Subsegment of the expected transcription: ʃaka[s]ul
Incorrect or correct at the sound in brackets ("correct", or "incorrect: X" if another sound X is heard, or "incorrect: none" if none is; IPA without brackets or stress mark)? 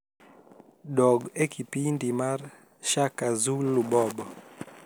incorrect: z